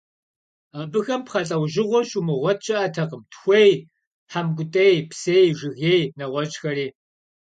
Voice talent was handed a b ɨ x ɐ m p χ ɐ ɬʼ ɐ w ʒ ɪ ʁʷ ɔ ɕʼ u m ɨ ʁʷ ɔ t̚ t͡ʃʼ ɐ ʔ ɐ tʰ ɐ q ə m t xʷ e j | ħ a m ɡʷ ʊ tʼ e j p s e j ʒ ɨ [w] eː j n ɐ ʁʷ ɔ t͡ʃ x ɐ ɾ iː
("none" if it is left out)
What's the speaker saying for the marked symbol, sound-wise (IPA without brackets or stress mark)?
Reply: ɣ